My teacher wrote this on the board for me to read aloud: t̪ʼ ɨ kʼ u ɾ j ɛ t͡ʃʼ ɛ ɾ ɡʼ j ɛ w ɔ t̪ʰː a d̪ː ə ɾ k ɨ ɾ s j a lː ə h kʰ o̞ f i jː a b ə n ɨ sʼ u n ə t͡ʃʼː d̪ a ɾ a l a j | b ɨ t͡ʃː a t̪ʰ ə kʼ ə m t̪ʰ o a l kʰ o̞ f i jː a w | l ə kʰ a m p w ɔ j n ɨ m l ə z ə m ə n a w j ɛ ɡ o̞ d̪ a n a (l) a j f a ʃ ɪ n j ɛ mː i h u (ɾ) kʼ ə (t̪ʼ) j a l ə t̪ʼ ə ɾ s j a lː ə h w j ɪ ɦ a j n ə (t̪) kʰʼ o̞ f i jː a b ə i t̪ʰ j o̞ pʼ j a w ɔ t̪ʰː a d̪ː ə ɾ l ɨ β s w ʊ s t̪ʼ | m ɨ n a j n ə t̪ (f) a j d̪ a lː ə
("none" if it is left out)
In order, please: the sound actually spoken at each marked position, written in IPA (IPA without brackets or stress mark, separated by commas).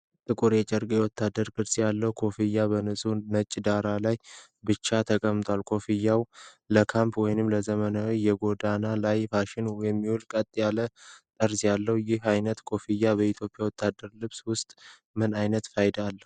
l, l, t̪ʼ, t̪, f